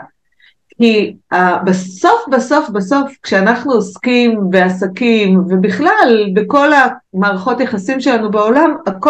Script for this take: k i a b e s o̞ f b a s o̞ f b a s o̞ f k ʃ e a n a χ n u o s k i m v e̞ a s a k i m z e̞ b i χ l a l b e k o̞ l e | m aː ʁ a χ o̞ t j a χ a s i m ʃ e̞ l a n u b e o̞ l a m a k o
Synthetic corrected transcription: k i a b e s o̞ f b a s o̞ f b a s o̞ f k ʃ e a n a χ n u o s k i m v e̞ a s a k i m v e̞ b i χ l a l b e k o̞ l a | m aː ʁ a χ o̞ t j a χ a s i m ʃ e̞ l a n u b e o̞ l a m a k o